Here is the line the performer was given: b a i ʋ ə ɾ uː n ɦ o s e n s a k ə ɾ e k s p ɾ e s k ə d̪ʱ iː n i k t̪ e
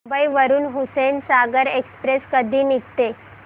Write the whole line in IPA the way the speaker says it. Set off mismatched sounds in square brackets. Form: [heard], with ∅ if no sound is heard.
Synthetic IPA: b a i ʋ ə ɾ uː n ɦ [u] s e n s a [ɡ] ə ɾ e k s p ɾ e s k ə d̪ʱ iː n i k t̪ e